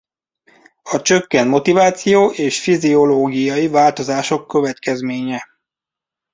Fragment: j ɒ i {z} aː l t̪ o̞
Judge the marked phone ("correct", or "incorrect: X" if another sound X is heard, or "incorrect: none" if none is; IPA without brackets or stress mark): incorrect: v